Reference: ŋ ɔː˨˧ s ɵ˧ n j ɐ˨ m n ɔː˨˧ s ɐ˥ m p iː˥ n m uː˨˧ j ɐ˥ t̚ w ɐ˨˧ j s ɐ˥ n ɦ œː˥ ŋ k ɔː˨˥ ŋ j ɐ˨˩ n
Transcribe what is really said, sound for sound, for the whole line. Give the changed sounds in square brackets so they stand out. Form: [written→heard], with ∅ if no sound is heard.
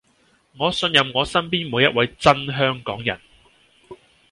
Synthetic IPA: ŋ ɔː˨˧ s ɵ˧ n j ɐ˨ m [n→ŋ] ɔː˨˧ s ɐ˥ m p iː˥ n m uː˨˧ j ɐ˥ t̚ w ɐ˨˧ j [s→t͡s] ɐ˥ n ɦ œː˥ ŋ k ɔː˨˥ ŋ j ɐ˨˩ n